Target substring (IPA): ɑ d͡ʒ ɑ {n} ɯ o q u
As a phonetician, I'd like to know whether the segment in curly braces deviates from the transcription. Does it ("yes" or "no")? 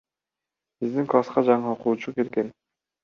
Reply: yes